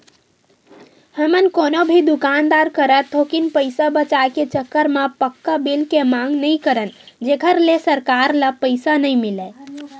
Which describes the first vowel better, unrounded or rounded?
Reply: unrounded